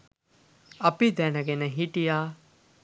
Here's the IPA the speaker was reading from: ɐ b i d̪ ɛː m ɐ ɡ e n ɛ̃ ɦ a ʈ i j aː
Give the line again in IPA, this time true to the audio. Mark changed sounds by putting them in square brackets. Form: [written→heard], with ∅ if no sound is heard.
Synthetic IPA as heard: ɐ [b→p] i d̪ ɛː [m→n] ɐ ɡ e n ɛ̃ ɦ [a→i] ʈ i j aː